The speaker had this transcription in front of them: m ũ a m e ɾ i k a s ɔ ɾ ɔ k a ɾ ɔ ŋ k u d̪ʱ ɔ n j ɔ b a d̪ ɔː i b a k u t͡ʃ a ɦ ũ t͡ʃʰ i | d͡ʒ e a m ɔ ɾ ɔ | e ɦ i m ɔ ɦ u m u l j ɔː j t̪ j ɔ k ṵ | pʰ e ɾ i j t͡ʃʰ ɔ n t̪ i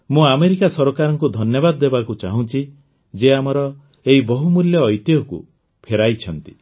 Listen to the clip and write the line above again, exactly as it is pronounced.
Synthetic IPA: m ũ a m e ɾ i k a s ɔ ɾ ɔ k a ɾ ɔ ŋ k u d̪ʱ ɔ n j ɔ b a d̪ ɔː e b a k u t͡ʃ a ɦ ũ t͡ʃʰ i | d͡ʒ e a m ɔ ɾ ɔ | e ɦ i b ɔ ɦ u m u l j ɔː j t̪ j ɔ k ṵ | pʰ e ɾ a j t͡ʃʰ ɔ n t̪ i